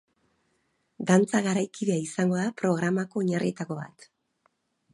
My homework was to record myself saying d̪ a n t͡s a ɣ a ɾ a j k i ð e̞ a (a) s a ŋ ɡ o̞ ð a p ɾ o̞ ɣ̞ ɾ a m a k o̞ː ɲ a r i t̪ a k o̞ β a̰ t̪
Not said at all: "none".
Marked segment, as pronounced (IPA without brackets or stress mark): i